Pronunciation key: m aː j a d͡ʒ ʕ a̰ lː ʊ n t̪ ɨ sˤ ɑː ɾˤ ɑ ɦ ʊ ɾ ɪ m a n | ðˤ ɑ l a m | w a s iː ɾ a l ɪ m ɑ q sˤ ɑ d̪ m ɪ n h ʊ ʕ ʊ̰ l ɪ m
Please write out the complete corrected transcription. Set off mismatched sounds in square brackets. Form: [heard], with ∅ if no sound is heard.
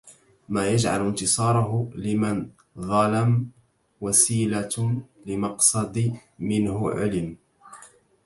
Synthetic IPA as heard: m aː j a d͡ʒ ʕ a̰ [l] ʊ n t̪ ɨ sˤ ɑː ɾˤ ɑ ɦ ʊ [l] ɪ m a n | ðˤ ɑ l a m | w a s iː [l] a l ɪ m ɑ q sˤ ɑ d̪ m ɪ n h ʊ ʕ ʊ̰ l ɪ m